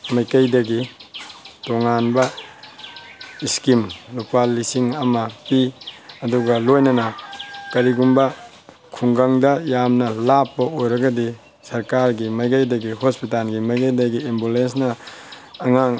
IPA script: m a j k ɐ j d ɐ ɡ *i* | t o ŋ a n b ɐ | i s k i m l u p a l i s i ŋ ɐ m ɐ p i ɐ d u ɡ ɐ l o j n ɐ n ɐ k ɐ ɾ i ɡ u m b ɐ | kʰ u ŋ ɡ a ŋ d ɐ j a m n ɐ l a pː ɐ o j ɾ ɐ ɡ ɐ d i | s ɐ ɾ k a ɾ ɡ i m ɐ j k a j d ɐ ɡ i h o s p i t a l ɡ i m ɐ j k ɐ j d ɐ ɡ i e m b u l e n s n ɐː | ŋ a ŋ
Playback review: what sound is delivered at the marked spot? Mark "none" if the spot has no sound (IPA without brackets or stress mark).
i